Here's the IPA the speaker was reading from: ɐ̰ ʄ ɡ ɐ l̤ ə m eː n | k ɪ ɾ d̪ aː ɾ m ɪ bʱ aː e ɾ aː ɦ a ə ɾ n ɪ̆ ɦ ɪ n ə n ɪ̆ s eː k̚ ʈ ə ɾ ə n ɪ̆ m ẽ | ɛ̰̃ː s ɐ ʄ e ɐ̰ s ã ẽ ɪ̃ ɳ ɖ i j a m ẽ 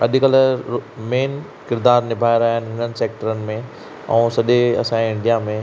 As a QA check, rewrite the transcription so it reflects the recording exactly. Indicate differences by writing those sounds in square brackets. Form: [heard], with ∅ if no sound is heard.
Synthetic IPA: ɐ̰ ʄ [k] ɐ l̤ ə m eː n | k ɪ ɾ d̪ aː ɾ [n] ɪ bʱ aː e ɾ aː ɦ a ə [∅] n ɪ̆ ɦ ɪ n ə n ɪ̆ s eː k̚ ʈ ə ɾ ə n ɪ̆ m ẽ | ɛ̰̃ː s ɐ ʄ e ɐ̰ s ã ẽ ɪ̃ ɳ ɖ i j a m ẽ